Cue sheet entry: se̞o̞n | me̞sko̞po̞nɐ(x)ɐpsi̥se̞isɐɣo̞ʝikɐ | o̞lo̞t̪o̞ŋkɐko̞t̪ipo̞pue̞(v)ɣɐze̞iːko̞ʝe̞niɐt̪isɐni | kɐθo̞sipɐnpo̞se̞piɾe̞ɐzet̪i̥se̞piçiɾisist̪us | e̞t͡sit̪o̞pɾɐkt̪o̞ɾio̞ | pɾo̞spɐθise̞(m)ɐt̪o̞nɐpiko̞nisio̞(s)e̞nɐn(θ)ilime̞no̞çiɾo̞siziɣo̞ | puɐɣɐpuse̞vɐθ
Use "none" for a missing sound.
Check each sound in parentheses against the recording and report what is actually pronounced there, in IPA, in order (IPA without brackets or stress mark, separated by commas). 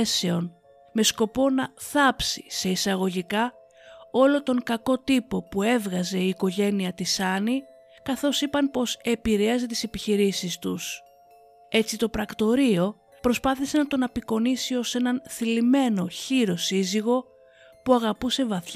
θ, v, n, s, θ